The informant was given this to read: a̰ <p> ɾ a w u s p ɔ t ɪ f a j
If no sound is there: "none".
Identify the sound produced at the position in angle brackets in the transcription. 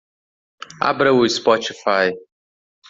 b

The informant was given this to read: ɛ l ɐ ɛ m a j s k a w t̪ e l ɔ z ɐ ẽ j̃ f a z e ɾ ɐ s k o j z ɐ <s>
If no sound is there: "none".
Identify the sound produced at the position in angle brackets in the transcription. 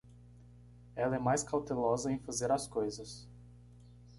s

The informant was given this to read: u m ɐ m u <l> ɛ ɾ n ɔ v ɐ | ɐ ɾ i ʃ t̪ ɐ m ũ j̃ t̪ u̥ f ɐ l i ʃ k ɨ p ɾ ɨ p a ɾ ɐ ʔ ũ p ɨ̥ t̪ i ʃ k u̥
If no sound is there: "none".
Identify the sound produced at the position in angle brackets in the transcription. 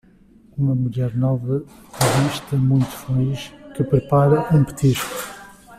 ʎ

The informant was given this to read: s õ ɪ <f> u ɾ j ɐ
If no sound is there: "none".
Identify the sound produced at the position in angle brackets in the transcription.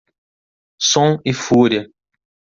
f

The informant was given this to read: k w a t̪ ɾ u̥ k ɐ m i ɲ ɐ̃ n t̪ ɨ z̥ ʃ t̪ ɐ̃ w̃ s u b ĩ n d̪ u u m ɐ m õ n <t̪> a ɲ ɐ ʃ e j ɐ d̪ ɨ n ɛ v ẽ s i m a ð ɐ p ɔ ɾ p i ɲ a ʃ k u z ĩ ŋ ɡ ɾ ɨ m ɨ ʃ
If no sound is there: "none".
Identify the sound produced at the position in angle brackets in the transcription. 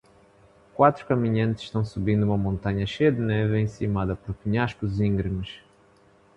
t̪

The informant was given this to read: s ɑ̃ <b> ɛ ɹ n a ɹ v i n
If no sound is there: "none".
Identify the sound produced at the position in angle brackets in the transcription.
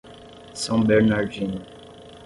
b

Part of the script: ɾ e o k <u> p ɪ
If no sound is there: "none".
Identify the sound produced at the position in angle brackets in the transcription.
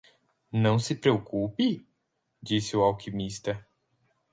u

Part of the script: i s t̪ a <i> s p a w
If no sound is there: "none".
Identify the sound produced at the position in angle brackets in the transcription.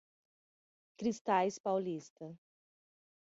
j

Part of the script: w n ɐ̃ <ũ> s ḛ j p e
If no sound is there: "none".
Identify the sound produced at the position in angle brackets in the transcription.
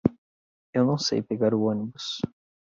w̃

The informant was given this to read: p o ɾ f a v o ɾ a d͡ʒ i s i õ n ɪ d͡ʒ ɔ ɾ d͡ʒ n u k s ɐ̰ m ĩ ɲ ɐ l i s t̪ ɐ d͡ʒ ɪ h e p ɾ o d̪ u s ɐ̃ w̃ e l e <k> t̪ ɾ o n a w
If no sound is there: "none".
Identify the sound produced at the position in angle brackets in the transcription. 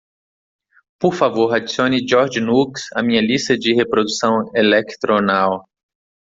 k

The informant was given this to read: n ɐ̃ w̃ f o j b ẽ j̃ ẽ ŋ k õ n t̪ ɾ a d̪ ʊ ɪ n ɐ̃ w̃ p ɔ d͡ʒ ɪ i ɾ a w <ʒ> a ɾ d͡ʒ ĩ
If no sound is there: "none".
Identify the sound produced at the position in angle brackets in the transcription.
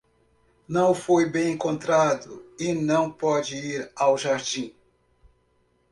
ʒ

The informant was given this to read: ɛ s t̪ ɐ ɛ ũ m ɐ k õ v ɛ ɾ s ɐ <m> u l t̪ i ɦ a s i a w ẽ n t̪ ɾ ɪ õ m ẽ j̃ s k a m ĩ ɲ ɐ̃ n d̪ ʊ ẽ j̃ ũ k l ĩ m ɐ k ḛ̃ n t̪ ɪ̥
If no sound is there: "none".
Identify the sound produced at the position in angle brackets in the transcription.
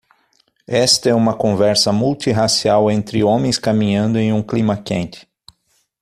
m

